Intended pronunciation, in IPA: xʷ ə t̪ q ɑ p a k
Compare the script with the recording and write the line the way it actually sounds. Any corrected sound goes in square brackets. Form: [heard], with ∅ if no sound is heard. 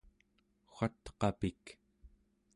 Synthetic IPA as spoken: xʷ [a] t̪ q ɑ p [i] k

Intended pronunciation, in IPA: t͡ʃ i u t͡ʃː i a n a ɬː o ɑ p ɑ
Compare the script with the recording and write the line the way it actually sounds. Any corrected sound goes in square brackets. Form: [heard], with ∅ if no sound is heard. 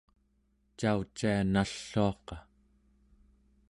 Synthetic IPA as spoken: t͡ʃ [a] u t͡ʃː i a n a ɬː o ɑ [q] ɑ

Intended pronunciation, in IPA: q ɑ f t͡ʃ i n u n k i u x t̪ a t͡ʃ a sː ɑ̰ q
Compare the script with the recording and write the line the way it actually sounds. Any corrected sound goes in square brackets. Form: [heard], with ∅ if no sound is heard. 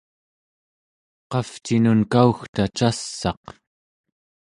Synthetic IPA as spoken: q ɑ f t͡ʃ i n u n k [a] u x t̪ a t͡ʃ a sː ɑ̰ q

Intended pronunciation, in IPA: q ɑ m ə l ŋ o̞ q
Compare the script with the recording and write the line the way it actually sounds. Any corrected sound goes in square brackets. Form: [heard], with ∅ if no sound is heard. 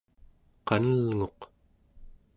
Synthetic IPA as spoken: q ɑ [n] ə l ŋ o̞ q

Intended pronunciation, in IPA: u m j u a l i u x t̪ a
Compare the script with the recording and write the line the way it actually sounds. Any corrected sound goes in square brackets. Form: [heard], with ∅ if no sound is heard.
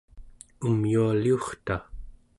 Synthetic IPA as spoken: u m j u a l i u [χ] t̪ a

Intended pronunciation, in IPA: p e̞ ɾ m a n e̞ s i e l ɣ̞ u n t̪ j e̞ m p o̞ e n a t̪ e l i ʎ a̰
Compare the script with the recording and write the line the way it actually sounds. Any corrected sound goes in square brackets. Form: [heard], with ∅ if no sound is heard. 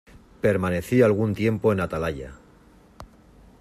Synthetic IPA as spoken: p e̞ ɾ m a n e̞ [θ] i [a] l ɣ̞ u n t̪ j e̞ m p o̞ e n a t̪ [a] l [a] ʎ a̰

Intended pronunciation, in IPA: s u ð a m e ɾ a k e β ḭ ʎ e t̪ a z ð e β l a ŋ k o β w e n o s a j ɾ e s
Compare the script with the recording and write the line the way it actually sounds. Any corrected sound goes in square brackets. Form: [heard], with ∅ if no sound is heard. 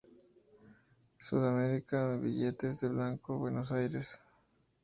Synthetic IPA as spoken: s u ð a m e ɾ [i] k [a] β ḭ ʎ e t̪ [e] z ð e β l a ŋ k o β w e n o s a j ɾ e s

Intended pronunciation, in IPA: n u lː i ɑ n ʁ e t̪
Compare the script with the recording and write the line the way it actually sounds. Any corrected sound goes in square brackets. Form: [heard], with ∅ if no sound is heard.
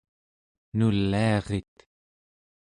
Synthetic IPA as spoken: n u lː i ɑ [∅] ʁ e t̪

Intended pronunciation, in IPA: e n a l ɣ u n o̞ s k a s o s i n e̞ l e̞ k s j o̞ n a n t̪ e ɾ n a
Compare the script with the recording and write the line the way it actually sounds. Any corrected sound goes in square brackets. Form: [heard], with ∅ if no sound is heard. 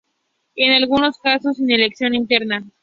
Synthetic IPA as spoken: e n a l ɣ u n o̞ s k a s o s i n e̞ l e̞ k s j o̞ n [i] n t̪ e ɾ n a

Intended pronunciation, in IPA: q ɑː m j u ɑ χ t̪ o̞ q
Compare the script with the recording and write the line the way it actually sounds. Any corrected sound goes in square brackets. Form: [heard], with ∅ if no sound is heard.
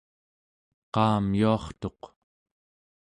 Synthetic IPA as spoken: q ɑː m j u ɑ χ t̪ o̞ q

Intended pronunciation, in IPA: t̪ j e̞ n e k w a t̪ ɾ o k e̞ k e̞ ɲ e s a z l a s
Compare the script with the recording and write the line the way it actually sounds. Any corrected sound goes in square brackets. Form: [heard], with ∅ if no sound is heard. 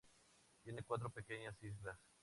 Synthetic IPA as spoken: t̪ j e̞ n e k w a t̪ ɾ o [p] e̞ k e̞ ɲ [a] s [i] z l a s

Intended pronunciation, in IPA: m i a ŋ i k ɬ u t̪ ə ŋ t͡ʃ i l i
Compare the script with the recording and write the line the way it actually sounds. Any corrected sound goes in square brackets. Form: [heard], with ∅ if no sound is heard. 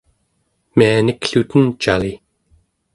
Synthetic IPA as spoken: m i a [n] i k ɬ u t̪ ə [n] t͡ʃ [a] l i

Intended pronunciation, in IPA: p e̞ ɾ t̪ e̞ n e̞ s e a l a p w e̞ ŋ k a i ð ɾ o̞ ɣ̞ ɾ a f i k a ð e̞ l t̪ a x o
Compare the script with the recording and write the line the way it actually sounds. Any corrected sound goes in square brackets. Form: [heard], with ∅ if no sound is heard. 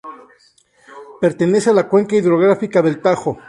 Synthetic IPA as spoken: p e̞ ɾ t̪ e̞ n e̞ s e a l a [k] w e̞ ŋ k a i ð ɾ o̞ ɣ̞ ɾ a f i k a ð e̞ l t̪ a x o

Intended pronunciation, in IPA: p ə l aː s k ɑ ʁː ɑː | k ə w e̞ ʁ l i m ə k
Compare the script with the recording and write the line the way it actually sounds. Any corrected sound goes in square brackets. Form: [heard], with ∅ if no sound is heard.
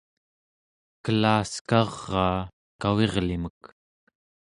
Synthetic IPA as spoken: [k] ə l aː s k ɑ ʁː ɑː | k [a] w e̞ ʁ l i m ə k

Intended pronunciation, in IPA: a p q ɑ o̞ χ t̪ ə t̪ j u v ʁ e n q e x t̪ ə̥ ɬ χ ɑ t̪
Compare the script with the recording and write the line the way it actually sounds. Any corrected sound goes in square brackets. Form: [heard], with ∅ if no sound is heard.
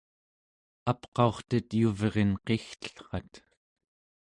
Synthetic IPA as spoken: a p q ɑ o̞ χ t̪ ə t̪ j u v ʁ e n q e x t̪ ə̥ ɬ χ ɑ t̪

